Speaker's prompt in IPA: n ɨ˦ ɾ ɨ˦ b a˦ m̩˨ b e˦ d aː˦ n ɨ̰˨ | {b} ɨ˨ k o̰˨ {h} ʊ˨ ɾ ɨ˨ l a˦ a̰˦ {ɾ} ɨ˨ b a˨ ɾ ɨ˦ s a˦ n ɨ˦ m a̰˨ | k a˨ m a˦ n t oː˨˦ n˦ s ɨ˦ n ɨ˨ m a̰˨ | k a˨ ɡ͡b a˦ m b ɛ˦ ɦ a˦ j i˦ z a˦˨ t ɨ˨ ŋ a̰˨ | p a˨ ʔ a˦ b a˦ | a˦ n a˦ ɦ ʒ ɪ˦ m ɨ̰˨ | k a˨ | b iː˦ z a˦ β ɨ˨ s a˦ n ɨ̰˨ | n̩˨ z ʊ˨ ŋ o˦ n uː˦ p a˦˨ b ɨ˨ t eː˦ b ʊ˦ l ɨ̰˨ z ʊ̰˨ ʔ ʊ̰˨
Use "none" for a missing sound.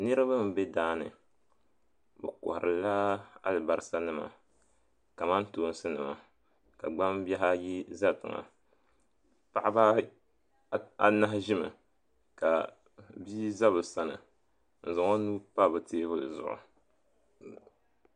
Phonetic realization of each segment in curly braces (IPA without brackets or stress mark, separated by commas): b, h, l